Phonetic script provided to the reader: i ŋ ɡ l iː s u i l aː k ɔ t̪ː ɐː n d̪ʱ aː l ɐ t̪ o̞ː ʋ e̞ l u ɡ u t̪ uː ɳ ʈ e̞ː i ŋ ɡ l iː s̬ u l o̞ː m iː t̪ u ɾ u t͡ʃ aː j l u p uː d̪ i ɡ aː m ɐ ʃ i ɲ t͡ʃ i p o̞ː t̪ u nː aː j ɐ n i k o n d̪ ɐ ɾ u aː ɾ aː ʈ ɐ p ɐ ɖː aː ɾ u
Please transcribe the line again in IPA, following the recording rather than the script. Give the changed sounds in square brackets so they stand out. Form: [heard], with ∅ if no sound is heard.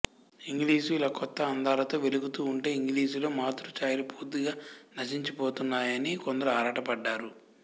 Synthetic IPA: i ŋ ɡ l iː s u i l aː k ɔ t̪ː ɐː n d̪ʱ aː l ɐ t̪ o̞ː ʋ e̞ l u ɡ u t̪ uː ɳ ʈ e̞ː i ŋ ɡ l iː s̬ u l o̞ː m [aː] t̪ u ɾ u t͡ʃ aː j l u p uː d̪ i ɡ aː [n] ɐ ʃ i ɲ t͡ʃ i p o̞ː t̪ u nː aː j ɐ n i k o n d̪ ɐ ɾ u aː ɾ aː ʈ ɐ p ɐ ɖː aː ɾ u